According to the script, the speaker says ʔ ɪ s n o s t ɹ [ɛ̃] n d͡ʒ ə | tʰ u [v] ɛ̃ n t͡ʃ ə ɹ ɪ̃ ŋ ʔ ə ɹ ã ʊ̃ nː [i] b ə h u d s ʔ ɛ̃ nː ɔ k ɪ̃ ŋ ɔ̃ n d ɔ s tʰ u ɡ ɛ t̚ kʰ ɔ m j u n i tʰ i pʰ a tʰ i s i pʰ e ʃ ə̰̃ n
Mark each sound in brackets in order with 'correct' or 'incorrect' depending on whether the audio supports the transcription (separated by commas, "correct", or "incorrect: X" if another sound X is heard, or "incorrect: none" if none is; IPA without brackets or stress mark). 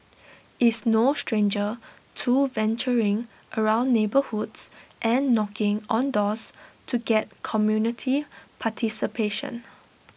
incorrect: ẽ, correct, incorrect: e